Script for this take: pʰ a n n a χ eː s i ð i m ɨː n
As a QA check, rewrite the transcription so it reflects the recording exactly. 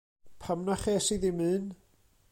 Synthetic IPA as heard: pʰ a m n a χ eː s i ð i m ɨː n